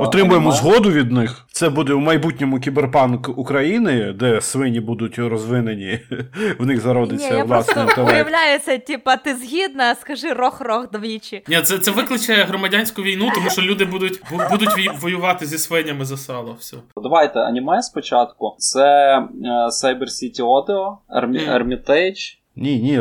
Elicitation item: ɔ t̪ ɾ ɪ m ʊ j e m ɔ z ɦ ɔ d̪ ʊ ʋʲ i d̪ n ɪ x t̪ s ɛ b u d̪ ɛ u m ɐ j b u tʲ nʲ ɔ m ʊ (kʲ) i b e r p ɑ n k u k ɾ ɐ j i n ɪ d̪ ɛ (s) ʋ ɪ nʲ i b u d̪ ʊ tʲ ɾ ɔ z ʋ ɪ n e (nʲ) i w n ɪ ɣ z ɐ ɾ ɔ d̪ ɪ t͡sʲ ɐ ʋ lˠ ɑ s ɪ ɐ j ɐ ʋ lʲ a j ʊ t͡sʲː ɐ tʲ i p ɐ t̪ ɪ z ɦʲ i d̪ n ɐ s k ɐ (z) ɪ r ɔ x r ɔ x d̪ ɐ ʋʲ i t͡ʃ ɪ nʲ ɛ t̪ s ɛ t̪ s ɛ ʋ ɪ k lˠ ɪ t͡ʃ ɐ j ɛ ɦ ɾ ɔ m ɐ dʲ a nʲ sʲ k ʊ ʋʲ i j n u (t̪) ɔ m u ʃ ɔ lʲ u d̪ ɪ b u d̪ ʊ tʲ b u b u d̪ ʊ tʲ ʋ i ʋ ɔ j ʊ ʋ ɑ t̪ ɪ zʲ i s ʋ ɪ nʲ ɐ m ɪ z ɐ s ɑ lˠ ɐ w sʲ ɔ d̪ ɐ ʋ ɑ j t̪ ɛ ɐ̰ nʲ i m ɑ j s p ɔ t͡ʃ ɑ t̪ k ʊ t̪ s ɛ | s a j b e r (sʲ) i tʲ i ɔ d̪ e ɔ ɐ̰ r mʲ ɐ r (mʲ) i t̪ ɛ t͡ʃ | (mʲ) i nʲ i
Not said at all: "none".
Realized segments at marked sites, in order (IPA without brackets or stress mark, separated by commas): kʲ, s, nʲ, ʒ, t̪, sʲ, mʲ, nʲ